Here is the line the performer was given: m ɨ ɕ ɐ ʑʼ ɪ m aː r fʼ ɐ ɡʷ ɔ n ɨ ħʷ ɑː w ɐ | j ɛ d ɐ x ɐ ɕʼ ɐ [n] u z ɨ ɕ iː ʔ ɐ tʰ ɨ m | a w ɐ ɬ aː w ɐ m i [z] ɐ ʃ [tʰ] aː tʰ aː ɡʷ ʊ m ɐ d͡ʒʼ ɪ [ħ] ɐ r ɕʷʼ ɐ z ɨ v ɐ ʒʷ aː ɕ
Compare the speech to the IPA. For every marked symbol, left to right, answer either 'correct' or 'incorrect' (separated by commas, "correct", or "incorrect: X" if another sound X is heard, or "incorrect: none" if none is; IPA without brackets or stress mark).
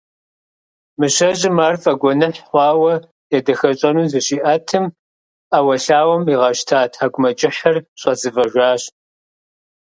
correct, incorrect: ʁ, correct, correct